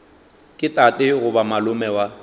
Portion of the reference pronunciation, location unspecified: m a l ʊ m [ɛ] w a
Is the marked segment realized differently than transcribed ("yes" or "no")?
no